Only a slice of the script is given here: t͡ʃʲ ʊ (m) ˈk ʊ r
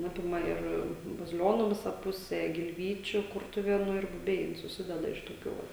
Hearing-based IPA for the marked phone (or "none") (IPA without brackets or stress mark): none